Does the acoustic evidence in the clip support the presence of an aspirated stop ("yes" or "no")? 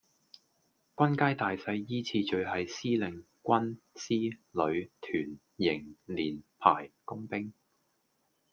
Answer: yes